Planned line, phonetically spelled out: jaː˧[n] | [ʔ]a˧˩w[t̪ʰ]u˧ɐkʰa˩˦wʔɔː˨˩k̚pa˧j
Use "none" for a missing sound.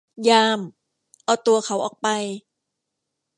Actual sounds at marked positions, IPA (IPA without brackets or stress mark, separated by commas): m, ʔ, t̪